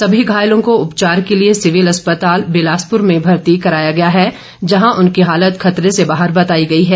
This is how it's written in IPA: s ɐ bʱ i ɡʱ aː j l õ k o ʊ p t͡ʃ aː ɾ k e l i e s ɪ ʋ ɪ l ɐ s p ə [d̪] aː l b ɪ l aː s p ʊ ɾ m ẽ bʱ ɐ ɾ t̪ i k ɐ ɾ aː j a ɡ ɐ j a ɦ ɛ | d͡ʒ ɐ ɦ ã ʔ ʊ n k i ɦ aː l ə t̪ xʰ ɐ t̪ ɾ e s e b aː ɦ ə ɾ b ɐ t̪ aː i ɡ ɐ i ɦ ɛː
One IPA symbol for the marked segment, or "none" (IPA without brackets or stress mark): t̪